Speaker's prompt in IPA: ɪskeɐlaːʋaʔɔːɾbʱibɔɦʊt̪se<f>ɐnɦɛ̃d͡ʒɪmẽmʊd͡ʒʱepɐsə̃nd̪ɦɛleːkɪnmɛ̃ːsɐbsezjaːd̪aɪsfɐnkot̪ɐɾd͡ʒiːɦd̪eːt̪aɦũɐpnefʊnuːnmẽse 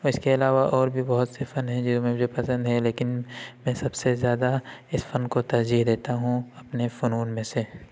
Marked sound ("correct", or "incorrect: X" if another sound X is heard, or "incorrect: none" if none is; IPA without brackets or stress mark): correct